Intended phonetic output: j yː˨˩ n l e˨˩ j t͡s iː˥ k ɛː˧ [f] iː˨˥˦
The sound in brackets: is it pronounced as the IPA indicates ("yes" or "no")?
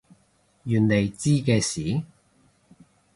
no